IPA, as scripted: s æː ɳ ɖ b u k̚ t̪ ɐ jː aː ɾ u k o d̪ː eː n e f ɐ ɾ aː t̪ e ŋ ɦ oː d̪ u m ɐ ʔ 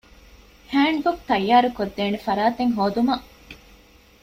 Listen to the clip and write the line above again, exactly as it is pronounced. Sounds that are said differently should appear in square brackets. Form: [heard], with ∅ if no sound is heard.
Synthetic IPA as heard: [h] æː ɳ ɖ b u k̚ t̪ ɐ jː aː ɾ u k o d̪ː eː n e f ɐ ɾ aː t̪ e ŋ ɦ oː d̪ u m ɐ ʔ